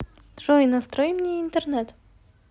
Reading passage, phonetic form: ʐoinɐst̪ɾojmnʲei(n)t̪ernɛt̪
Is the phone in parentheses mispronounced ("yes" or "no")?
no